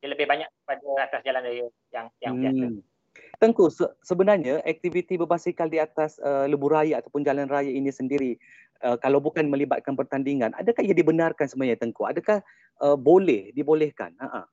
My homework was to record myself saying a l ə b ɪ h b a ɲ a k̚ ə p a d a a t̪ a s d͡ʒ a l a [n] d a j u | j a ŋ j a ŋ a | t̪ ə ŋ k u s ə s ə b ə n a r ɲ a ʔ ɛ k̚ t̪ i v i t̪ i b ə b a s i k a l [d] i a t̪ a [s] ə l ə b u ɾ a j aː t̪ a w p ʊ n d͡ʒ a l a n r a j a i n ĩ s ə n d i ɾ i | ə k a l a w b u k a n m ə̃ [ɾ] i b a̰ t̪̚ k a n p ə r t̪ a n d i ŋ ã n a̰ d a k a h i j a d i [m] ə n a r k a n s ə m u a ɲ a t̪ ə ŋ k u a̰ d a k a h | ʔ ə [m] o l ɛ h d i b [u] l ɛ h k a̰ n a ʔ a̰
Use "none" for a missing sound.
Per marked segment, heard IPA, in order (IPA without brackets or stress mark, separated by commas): n, d, s, l, b, b, o